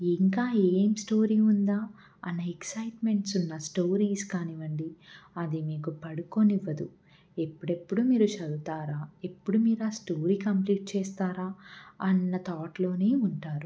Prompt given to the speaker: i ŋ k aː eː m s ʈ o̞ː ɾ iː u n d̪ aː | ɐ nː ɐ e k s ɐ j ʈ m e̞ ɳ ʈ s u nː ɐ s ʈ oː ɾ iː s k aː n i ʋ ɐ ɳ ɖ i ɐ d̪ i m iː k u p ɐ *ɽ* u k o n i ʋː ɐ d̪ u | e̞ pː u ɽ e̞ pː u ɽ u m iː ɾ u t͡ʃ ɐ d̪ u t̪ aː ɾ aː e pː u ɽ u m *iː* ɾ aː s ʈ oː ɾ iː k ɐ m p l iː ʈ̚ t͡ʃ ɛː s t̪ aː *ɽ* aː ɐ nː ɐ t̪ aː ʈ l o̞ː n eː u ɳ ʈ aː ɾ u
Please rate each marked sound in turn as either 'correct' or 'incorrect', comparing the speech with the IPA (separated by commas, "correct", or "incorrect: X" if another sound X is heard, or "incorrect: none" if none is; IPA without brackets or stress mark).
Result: correct, correct, incorrect: ɾ